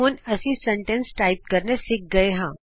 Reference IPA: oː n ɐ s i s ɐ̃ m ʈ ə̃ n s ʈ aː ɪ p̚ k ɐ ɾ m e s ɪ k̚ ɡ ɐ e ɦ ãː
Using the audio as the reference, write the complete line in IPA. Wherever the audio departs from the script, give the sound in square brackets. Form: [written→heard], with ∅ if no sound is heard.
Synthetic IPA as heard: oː n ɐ s i s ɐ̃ [m→ɳ] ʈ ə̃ n s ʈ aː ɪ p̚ k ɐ ɾ [m→n] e s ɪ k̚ ɡ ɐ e ɦ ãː